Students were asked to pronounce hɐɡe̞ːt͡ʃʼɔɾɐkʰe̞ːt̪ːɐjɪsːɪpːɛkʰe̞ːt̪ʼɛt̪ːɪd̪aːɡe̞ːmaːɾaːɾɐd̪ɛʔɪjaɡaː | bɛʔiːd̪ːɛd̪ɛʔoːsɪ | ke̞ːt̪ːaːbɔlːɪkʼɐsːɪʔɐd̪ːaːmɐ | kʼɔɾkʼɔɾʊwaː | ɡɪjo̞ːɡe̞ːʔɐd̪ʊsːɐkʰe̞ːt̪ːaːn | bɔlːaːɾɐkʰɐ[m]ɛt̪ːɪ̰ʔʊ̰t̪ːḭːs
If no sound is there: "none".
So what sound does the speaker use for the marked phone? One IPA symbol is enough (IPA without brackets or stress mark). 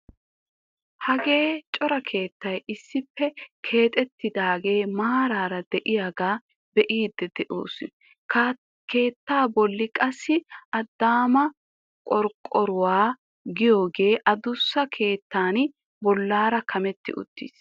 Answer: m